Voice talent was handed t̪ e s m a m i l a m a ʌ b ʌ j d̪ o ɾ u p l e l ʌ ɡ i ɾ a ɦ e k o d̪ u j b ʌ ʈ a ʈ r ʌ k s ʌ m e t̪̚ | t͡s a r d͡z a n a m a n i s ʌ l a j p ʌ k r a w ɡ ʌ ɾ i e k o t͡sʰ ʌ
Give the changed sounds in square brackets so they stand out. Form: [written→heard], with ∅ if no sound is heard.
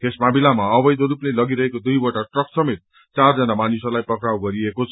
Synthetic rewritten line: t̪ e s m a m i l a m a ʌ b ʌ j d̪ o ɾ u p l e l ʌ ɡ i ɾ [a→ʌ] ɦ e k o d̪ u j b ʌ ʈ a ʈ r ʌ k s ʌ m e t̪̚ | t͡s a r d͡z [a→ʌ] n a m a n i s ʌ l a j p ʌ k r a w ɡ ʌ ɾ i e k o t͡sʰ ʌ